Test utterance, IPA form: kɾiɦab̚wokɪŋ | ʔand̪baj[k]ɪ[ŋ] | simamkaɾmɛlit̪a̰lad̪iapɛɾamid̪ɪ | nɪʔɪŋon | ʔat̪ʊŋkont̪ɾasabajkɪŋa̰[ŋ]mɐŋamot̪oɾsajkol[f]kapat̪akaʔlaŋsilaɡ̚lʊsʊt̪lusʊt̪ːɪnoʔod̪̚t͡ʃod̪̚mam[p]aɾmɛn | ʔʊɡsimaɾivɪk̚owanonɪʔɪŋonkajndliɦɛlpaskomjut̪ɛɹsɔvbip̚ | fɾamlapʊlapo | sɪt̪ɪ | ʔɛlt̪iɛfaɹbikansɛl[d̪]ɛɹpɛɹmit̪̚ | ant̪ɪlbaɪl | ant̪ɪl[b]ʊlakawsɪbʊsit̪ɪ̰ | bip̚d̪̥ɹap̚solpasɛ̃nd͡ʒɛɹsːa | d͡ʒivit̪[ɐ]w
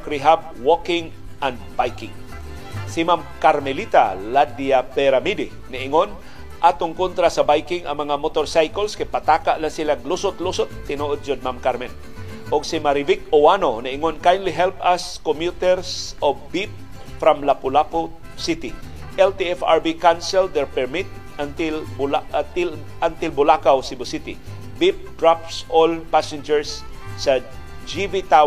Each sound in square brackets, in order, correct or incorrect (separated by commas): correct, correct, correct, incorrect, incorrect, correct, correct, incorrect